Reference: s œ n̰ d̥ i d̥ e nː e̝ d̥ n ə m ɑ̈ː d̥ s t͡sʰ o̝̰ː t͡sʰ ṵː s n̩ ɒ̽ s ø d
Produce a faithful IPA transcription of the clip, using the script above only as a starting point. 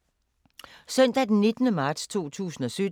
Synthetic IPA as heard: s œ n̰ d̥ æ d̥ e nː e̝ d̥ n ə m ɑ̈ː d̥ s t͡sʰ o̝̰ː t͡sʰ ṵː s n̩ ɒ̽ s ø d